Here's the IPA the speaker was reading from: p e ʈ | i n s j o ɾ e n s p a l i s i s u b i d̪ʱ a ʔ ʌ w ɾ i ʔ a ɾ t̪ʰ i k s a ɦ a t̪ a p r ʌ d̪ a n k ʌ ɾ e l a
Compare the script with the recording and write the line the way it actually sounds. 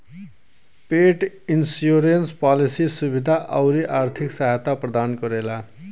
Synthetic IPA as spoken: p e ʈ | i n s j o ɾ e n s p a l i s i s u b i d̪ʱ a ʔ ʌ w ɾ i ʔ a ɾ t̪ʰ i k s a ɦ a t̪ a p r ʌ d̪ a n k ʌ ɾ e l a